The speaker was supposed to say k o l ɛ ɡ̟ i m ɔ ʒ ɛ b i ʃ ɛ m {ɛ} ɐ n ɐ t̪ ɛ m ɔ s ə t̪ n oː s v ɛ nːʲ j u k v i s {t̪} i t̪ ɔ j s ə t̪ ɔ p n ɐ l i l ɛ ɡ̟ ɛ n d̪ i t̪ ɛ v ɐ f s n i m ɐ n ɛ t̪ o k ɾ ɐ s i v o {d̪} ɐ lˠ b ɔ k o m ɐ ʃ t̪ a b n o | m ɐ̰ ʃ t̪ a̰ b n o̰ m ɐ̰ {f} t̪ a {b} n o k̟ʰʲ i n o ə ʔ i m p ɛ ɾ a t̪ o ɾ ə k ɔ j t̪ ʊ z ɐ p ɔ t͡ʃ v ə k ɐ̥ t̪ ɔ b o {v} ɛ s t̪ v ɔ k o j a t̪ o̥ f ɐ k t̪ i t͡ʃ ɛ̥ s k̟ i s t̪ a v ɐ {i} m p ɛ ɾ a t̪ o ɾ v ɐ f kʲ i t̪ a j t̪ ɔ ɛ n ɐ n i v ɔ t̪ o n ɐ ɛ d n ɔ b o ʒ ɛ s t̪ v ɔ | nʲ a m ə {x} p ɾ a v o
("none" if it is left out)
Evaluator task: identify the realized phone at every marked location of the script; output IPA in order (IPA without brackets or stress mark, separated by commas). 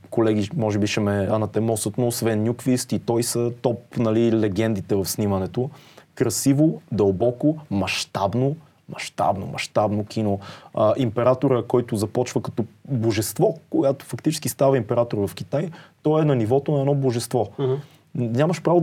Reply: ɛ, t̪, d̪, ʃ, b, ʒ, i, ʃ